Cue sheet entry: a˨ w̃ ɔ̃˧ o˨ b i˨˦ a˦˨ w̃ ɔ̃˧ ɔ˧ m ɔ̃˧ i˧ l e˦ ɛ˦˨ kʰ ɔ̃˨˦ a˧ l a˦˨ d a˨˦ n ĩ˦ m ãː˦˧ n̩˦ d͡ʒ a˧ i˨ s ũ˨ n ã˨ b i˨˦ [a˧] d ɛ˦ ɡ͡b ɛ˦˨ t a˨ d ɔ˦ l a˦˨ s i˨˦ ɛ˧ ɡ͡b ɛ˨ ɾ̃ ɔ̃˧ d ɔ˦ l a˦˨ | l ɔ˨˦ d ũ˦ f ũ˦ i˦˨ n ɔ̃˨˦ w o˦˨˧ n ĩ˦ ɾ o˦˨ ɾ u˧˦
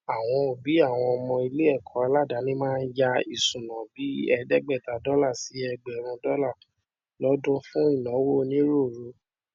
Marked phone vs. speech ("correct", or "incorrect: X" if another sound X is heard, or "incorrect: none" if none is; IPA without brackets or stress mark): incorrect: ɛ˧